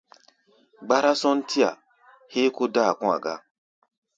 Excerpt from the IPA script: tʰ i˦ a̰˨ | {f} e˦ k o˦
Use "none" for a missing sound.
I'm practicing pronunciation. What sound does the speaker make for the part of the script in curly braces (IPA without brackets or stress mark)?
h